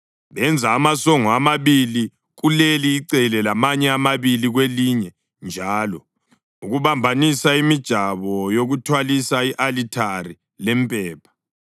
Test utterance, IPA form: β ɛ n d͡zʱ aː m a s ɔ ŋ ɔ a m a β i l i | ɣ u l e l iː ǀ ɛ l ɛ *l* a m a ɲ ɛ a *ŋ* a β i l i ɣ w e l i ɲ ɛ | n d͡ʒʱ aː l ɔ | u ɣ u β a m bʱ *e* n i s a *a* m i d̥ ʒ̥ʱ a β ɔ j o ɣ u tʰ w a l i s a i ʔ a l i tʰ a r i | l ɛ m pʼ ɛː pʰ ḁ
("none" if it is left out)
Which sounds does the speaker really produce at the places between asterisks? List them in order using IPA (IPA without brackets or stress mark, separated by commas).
l, m, a, i